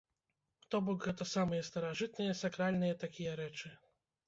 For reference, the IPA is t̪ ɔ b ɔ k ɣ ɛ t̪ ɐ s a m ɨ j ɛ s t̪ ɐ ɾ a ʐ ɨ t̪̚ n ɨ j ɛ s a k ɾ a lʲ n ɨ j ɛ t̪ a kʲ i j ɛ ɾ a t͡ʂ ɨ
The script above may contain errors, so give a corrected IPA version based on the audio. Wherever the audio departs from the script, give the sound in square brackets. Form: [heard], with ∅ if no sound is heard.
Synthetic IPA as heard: t̪ ɔ b ɔ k ɣ ɛ t̪ ɐ s a m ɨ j ɛ s t̪ ɐ ɾ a ʐ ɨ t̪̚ n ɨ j ɛ s a k ɾ a lʲ n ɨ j ɛ t̪ a kʲ i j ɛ ɾ [ɛ] t͡ʂ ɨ

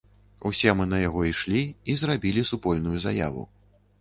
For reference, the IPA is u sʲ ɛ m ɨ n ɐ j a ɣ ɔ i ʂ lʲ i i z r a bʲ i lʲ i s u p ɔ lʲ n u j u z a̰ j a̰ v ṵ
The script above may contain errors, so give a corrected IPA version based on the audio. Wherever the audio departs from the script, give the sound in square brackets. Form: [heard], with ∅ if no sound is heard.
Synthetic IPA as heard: u sʲ ɛ m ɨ n ɐ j a ɣ ɔ i ʂ lʲ i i z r a bʲ i lʲ i s u p ɔ lʲ n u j u z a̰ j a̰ v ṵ

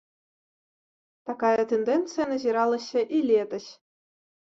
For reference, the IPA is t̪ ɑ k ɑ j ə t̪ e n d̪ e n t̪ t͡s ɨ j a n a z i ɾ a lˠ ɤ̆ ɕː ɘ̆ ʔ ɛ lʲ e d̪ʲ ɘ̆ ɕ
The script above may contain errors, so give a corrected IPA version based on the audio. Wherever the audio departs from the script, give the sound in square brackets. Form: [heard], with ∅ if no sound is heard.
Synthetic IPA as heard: t̪ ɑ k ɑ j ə t̪ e n d̪ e n t̪ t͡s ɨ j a n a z i ɾ [ɑ] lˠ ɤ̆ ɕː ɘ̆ ʔ [i] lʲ e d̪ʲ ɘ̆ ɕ

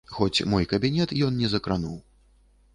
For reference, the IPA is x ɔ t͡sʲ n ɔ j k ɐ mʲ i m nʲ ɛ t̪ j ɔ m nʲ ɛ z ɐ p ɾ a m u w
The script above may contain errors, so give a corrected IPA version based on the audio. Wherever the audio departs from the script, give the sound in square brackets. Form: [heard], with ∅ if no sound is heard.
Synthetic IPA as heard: x ɔ t͡sʲ [m] ɔ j k ɐ [bʲ] i [∅] nʲ ɛ t̪ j ɔ [n] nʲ ɛ z ɐ [k] ɾ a [n] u w

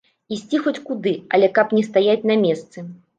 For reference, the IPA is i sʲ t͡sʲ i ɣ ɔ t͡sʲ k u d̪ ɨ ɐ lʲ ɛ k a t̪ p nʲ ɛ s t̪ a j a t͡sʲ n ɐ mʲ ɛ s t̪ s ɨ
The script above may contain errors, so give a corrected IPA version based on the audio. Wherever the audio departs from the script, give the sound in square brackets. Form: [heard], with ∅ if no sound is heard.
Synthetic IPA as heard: i sʲ t͡sʲ i [x] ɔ t͡sʲ k u d̪ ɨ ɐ lʲ ɛ k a [∅] p nʲ ɛ s t̪ a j a t͡sʲ n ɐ mʲ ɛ s t̪ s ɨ

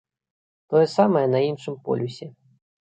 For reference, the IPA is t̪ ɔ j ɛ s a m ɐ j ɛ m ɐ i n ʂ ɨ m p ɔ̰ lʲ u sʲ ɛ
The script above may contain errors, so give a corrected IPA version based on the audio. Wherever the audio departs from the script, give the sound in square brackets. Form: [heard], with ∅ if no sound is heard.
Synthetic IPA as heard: t̪ ɔ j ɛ s a m ɐ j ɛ [n] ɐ i n ʂ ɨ m p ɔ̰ lʲ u sʲ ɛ

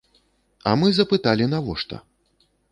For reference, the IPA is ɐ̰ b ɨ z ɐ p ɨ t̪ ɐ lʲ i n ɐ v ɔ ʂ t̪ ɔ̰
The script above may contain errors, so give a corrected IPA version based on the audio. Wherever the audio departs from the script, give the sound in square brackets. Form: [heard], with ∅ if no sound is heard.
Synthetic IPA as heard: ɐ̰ [m] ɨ z ɐ p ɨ t̪ [a] lʲ i n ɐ v ɔ ʂ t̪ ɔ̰

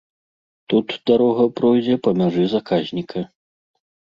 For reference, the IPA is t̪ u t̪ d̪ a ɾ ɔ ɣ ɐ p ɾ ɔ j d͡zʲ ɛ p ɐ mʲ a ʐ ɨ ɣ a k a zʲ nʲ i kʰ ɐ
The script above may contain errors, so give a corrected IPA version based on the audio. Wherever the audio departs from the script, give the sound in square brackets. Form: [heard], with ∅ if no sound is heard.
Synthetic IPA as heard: t̪ u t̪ d̪ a ɾ ɔ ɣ ɐ p ɾ ɔ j d͡zʲ ɛ p ɐ mʲ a ʐ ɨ [z] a k a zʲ nʲ i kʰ ɐ

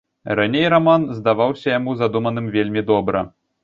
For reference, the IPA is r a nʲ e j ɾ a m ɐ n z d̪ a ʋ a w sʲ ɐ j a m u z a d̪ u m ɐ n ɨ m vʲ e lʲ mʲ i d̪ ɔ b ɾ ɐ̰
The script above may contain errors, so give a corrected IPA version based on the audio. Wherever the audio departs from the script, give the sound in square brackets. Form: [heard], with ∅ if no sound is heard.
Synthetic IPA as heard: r a nʲ e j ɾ a m [a] n z d̪ a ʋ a w sʲ ɐ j a m u z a d̪ u m ɐ n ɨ m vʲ e lʲ mʲ i d̪ ɔ b ɾ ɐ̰

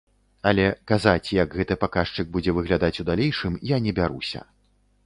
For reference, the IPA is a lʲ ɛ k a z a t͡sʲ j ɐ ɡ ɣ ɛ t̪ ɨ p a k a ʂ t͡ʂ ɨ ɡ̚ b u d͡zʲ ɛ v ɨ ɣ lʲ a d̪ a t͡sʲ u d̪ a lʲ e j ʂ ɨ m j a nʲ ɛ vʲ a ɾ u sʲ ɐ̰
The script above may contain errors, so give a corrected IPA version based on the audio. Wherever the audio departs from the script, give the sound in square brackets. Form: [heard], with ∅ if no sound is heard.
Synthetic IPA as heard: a lʲ ɛ k a z a t͡sʲ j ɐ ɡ ɣ ɛ t̪ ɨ p a k a ʂ t͡ʂ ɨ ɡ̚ b u d͡zʲ ɛ v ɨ ɣ lʲ a d̪ a t͡sʲ u d̪ a lʲ e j ʂ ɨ m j a nʲ ɛ [bʲ] a ɾ u sʲ ɐ̰

